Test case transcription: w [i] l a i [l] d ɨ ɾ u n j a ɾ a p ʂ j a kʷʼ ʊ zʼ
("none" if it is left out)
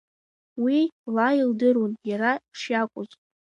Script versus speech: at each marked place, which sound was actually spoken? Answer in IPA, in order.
i, l

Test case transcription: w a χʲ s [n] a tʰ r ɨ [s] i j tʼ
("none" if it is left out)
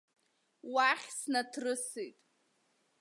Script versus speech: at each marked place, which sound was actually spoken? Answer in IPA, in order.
n, s

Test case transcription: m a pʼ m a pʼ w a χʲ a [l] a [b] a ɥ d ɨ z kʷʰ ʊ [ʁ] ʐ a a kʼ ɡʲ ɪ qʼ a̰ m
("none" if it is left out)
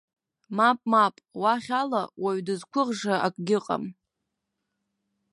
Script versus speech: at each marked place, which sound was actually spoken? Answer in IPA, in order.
l, w, ʁ

